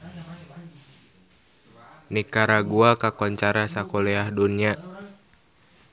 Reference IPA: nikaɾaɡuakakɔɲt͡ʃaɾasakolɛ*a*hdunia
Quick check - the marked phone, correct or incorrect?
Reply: correct